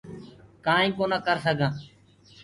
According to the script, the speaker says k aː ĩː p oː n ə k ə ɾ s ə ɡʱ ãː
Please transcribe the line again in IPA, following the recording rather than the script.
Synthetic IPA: k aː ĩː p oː n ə k ə ɾ s ə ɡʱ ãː